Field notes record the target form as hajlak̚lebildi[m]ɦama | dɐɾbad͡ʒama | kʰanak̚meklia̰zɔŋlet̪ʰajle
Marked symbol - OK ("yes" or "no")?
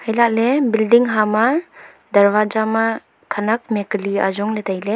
no